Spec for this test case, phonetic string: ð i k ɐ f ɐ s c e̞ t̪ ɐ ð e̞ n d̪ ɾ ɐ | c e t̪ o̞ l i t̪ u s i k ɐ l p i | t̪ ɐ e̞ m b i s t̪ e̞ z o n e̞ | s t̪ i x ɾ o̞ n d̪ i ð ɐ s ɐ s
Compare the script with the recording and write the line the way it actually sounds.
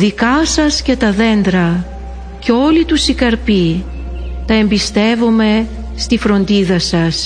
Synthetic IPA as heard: ð i k ɐ s ɐ s c e̞ t̪ ɐ ð e̞ n d̪ ɾ ɐ | c e o̞ l i t̪ u s i k ɐ ɾ p i | t̪ ɐ e̞ m b i s t̪ e̞ v o m e̞ | s t̪ i f ɾ o̞ n d̪ i ð ɐ s ɐ s